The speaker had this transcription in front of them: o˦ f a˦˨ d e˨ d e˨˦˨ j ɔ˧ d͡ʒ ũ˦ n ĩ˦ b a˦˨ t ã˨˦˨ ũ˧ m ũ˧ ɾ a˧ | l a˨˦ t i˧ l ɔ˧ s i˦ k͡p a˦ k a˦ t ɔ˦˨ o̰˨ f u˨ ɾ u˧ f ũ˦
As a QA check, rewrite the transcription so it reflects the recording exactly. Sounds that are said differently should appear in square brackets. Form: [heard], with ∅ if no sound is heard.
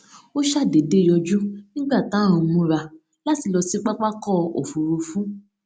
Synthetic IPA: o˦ [ʃ] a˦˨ d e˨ d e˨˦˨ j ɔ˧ d͡ʒ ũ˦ n ĩ˦ [ɡ͡b] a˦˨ t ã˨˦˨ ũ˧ m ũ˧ ɾ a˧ | l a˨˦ t i˧ l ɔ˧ s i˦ k͡p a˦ [k͡p] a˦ [k] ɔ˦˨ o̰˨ f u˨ ɾ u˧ f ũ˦